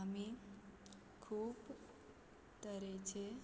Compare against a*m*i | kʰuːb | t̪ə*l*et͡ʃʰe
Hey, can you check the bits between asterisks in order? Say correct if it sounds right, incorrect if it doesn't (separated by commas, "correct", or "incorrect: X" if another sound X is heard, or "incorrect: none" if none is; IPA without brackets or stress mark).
correct, incorrect: ɾ